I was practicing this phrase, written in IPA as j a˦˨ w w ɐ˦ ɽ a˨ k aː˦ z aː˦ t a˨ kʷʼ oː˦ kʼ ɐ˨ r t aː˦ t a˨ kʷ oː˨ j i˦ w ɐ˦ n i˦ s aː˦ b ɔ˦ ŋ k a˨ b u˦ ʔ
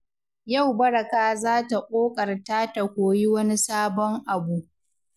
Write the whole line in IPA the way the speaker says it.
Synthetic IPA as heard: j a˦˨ w b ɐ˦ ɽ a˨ k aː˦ z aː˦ t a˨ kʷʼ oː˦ kʼ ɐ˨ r t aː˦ t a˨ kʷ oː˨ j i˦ w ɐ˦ n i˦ s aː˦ b ɔ˦ ŋ ʔ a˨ b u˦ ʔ